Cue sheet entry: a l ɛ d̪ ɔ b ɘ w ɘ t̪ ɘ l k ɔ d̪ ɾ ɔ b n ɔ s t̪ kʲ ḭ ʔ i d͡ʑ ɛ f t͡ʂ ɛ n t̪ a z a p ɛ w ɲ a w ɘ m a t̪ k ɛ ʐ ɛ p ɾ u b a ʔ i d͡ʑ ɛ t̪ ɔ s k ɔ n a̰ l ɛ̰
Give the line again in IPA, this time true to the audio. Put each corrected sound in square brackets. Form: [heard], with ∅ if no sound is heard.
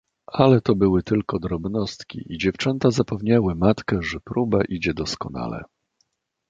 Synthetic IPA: a l ɛ [t̪] ɔ b ɘ w ɘ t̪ ɘ l k ɔ d̪ ɾ ɔ b n ɔ s t̪ kʲ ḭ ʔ i d͡ʑ ɛ f t͡ʂ ɛ n t̪ a z a p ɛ [v] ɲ a w ɘ m a t̪ k ɛ ʐ ɛ p ɾ u b a ʔ i d͡ʑ ɛ [d̪] ɔ s k ɔ n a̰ l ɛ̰